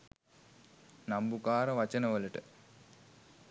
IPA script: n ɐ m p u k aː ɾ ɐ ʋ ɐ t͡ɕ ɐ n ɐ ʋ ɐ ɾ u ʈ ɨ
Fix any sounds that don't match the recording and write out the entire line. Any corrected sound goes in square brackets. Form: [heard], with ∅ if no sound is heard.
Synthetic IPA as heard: n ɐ m [b] u k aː ɾ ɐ ʋ ɐ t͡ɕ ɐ n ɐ ʋ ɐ [l] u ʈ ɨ